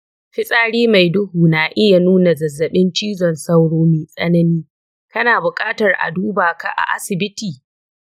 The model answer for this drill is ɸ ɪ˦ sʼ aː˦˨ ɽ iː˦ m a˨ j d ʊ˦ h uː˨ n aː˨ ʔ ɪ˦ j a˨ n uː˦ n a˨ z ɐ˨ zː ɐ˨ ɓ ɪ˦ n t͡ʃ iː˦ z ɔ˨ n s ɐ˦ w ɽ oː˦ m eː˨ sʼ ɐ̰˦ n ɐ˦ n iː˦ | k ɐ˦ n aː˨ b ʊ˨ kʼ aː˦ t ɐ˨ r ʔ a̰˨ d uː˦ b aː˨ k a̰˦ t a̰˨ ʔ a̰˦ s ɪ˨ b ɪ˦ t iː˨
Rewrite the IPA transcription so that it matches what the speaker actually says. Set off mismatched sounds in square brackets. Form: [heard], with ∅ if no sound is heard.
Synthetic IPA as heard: ɸ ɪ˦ sʼ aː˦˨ ɽ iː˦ m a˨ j d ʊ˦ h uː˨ n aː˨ ʔ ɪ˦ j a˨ n uː˦ n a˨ z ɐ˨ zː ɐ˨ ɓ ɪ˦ n t͡ʃ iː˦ z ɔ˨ n s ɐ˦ w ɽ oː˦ m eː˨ sʼ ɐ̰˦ n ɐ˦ n iː˦ | k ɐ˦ n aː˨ b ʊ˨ kʼ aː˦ t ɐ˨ r ʔ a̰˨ d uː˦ b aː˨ k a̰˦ [ʔ] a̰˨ ʔ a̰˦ s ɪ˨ b ɪ˦ t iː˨

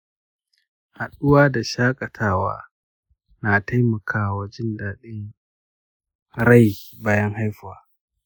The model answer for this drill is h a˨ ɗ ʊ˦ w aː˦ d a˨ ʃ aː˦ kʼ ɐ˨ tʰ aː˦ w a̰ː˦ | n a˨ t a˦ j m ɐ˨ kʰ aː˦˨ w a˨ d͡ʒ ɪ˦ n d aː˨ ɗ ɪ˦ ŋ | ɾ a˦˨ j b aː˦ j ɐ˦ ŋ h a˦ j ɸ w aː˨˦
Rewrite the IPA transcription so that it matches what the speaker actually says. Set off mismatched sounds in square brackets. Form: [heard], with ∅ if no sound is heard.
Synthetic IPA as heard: h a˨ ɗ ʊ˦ w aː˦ d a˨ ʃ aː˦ kʼ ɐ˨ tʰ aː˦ w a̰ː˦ | n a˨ t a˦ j m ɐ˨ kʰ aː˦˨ w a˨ d͡ʒ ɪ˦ n d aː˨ ɗ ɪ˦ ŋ | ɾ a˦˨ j b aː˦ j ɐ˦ ŋ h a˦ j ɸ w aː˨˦

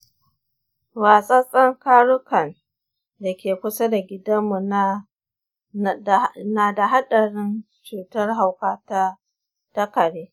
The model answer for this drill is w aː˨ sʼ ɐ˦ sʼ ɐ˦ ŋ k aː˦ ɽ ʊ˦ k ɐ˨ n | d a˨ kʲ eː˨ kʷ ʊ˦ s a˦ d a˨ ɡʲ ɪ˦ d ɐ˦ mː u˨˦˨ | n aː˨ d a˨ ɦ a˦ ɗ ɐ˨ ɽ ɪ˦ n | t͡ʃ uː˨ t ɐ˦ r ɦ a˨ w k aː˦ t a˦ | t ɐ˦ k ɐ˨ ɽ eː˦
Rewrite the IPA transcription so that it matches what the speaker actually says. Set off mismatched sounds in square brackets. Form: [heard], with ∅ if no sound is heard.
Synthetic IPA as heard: w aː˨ sʼ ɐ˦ sʼ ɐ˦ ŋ k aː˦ ɽ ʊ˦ k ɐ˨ n | d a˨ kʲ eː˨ kʷ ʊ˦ s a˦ d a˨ ɡʲ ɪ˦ d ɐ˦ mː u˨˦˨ | n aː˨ d a˨ ɦ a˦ ɗ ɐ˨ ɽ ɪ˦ n | t͡ʃ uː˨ t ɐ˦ r ɦ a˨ w k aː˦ t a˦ | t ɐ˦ k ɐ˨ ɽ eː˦

